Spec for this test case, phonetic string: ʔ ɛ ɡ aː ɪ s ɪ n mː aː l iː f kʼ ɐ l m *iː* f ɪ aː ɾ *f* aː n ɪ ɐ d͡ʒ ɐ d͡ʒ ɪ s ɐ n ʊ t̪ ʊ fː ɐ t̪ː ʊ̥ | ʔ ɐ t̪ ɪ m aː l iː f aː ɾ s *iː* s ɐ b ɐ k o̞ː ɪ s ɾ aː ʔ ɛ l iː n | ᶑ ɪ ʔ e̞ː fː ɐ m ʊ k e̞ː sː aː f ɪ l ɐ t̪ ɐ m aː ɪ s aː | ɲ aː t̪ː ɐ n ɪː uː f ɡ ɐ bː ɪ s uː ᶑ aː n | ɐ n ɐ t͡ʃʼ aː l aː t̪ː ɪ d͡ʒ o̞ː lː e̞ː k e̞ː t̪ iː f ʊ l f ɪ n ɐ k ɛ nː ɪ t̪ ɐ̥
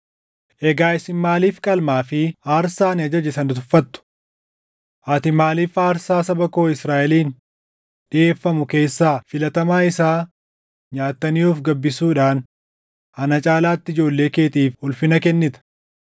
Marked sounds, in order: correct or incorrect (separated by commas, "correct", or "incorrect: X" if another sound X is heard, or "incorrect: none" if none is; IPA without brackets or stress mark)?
incorrect: aː, incorrect: s, incorrect: aː